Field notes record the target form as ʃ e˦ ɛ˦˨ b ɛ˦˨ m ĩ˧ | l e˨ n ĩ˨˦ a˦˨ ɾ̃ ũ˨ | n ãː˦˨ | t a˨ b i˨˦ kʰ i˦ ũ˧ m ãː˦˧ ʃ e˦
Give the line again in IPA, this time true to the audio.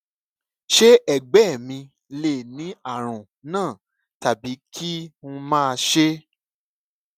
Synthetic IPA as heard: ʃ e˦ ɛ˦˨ ɡ͡b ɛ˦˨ m ĩ˧ | l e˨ n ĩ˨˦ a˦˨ ɾ̃ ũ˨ | n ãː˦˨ | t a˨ b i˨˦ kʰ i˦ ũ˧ m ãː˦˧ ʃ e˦

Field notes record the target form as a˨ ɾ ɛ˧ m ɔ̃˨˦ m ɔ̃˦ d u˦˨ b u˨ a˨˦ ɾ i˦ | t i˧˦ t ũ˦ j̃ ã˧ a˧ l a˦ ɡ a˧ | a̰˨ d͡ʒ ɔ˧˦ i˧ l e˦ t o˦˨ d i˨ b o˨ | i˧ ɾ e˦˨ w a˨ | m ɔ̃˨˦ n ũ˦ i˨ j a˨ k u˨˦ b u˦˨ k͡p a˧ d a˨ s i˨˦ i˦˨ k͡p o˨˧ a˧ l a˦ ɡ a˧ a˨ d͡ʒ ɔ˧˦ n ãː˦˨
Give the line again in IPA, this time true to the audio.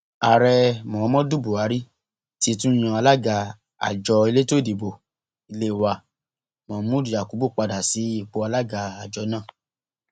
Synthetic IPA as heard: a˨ ɾ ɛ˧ m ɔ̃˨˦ m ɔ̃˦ d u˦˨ b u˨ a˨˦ ɾ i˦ | t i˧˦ t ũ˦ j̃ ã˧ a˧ l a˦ ɡ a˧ | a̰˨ d͡ʒ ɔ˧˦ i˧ l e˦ t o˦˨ d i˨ b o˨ | i˧ l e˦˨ w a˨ | m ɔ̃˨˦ m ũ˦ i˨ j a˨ k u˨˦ b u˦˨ k͡p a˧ d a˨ s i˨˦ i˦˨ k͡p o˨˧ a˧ l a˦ ɡ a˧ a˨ d͡ʒ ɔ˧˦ n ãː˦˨

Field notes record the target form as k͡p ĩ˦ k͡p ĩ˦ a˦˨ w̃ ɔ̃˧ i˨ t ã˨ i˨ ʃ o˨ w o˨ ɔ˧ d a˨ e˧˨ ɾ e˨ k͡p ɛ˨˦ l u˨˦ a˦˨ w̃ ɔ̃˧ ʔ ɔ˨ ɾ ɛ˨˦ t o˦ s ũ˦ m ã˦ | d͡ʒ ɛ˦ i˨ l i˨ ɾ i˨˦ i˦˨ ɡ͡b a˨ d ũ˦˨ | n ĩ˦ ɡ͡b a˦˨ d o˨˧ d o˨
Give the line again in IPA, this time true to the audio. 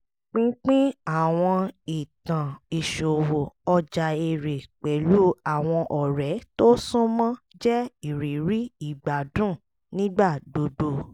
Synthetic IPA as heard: k͡p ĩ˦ k͡p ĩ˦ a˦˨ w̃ ɔ̃˧ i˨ t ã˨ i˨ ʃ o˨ w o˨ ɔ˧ d͡ʒ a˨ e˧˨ ɾ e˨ k͡p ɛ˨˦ l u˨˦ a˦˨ w̃ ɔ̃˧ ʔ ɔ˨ ɾ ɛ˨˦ t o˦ s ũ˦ m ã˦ | d͡ʒ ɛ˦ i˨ ɾ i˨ ɾ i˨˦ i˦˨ ɡ͡b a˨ d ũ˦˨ | n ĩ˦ ɡ͡b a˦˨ d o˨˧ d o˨

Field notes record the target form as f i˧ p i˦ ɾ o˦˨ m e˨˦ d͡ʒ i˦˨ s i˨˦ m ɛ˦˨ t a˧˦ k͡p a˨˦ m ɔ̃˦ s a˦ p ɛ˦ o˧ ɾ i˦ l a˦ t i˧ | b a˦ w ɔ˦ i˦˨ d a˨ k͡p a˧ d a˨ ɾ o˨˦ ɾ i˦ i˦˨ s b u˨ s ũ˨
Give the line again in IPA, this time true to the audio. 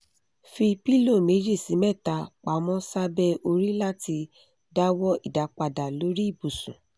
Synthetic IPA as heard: f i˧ p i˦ l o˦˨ m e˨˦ d͡ʒ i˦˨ s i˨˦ m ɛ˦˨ t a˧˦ k͡p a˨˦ m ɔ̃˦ s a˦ b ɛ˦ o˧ ɾ i˦ l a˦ t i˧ | d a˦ w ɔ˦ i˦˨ d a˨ k͡p a˧ d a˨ l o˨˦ ɾ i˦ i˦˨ b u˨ s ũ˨

